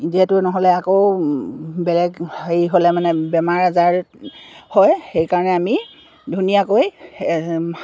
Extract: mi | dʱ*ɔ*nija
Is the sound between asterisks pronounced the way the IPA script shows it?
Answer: no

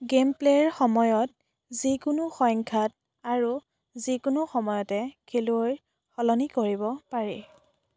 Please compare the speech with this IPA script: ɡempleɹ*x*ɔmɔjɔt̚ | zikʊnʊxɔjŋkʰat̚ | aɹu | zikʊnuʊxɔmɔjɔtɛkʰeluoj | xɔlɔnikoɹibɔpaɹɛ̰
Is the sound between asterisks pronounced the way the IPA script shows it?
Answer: yes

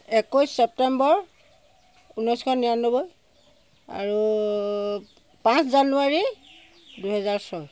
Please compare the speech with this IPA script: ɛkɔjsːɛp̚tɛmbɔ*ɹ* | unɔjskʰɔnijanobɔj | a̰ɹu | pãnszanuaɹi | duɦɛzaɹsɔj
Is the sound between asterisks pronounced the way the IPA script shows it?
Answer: yes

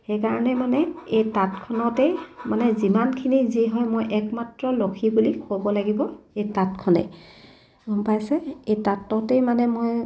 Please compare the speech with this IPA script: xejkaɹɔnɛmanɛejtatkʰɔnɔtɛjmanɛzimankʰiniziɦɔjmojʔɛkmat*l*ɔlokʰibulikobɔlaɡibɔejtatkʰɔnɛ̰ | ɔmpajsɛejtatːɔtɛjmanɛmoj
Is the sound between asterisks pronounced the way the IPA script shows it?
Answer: no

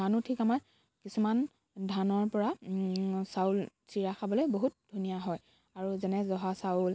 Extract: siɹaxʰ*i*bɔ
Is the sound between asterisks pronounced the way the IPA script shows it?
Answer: no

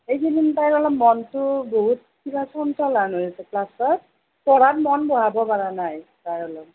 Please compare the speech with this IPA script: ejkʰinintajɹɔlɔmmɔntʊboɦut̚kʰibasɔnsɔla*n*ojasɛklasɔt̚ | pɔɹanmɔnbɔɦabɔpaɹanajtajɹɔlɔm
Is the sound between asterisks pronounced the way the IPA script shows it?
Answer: yes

